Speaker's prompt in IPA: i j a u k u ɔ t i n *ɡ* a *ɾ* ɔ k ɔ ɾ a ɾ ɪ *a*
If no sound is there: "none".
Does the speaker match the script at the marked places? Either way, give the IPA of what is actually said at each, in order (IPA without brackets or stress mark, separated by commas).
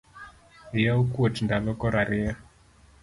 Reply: d, l, a